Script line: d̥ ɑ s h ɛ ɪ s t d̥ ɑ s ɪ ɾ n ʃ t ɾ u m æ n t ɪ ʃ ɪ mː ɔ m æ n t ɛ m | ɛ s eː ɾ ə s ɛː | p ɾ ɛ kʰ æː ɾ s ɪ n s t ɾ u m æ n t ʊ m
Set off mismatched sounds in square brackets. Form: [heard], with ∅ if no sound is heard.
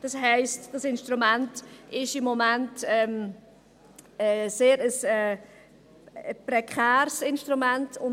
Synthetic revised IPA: d̥ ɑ s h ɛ ɪ s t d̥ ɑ s ɪ [∅] n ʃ t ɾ u m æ n t ɪ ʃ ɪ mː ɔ m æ n t ɛ m | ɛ s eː ɾ ə s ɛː | p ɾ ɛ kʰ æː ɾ s ɪ n [ʃ] t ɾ u m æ n t ʊ [n]